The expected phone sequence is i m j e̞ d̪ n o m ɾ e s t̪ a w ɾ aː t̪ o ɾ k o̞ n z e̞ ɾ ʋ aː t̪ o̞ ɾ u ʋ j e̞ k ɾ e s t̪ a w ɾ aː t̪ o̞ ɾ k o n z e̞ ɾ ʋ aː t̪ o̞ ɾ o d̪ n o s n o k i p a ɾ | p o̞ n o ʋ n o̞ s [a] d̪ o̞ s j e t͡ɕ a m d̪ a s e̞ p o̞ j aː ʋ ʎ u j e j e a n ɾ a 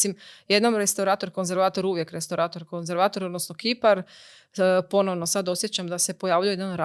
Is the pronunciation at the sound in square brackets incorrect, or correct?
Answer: correct